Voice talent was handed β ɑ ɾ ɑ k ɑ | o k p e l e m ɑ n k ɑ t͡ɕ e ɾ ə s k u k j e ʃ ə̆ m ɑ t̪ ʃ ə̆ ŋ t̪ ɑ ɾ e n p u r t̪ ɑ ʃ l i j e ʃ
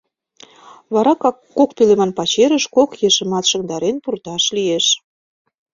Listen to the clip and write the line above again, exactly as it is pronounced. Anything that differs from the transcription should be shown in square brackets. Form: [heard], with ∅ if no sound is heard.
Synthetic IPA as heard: β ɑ ɾ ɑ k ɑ | o k p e l e m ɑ n [p] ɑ t͡ɕ e ɾ ə [ʃ] k [o] k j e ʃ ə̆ m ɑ t̪ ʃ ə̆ ŋ [d̪] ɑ ɾ e n p u r t̪ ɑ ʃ l i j e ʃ